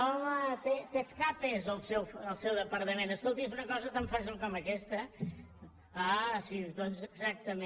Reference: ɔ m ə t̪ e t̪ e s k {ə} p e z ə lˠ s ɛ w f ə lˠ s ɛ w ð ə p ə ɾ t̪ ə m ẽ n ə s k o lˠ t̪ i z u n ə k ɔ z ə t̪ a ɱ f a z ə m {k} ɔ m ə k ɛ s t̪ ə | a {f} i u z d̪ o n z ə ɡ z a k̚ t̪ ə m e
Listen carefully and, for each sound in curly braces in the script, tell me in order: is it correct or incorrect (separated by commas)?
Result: incorrect, correct, incorrect